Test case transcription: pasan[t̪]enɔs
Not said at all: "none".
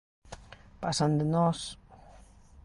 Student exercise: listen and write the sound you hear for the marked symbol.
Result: d̪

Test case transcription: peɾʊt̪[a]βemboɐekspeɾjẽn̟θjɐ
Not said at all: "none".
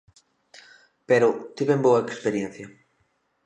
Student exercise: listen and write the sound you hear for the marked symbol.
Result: i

